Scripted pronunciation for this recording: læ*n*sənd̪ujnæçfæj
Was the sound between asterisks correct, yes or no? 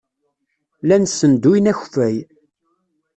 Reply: yes